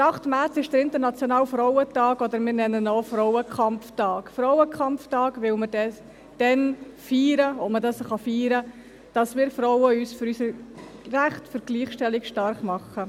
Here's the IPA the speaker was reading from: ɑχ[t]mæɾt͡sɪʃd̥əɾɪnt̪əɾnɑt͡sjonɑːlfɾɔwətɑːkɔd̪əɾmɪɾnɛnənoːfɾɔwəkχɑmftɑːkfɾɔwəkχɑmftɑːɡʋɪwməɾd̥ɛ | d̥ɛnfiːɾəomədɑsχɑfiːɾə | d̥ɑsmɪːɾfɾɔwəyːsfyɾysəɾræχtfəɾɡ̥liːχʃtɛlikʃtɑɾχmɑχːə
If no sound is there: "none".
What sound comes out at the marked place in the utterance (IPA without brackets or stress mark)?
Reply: t